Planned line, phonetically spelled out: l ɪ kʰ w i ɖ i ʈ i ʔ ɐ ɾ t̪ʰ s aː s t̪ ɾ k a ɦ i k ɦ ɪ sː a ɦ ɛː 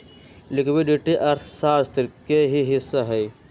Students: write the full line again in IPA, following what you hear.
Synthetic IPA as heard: l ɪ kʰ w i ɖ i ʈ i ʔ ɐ ɾ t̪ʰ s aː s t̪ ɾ k e ɦ i ɦ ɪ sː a ɦ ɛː